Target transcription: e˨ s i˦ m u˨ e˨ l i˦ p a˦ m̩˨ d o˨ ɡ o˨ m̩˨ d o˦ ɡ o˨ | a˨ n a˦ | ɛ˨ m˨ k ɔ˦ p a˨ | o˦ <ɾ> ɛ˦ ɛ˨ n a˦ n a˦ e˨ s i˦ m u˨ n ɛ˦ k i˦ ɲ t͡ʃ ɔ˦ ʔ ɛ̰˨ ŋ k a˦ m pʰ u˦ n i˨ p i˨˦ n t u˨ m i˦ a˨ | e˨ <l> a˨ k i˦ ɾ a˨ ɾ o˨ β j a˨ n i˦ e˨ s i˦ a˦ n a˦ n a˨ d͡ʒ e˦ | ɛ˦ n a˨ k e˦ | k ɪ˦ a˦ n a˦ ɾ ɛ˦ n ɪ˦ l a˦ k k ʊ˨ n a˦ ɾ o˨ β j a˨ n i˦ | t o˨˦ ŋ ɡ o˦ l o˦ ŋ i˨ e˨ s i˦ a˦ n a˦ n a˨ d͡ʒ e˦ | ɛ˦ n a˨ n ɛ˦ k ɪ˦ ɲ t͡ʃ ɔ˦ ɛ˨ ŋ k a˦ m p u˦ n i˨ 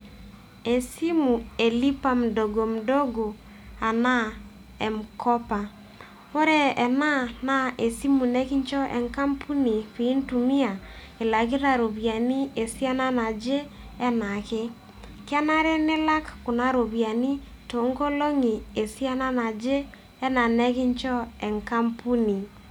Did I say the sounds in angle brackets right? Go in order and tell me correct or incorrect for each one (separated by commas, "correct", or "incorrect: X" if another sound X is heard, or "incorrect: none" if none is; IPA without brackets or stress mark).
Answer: correct, correct